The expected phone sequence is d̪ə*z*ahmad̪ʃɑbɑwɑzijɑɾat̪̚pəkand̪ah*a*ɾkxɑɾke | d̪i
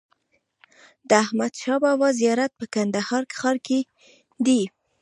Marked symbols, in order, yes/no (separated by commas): no, no